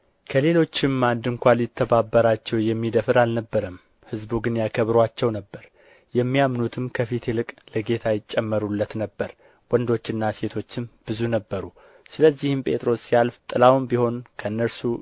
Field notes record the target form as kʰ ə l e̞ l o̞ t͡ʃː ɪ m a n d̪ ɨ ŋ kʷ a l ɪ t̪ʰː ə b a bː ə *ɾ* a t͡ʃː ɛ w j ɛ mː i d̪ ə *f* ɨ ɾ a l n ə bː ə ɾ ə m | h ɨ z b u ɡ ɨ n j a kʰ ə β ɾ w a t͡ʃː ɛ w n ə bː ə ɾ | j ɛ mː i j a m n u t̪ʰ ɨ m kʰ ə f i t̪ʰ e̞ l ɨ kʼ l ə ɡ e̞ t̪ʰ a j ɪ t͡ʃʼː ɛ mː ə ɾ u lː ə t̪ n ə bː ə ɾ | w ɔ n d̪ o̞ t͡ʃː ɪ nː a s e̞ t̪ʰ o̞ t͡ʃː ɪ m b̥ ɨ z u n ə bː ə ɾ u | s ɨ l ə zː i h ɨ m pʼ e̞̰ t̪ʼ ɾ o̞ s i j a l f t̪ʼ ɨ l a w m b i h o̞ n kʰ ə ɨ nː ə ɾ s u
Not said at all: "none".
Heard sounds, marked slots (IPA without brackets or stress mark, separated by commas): ɾ, f